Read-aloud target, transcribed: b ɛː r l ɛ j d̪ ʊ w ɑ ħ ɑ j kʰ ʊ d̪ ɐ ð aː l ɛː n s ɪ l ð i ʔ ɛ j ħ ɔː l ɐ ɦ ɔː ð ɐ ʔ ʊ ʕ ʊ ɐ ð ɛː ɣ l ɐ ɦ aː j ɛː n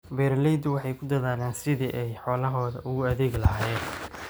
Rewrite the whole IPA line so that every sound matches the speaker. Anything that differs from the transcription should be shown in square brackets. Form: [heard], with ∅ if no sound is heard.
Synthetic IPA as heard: b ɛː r l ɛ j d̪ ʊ w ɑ ħ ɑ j kʰ ʊ d̪ ɐ ð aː l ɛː n s ɪ [∅] ð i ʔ ɛ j ħ ɔː l ɐ ɦ ɔː ð ɐ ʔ ʊ [ɣ] ʊ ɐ ð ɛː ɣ l ɐ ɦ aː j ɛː n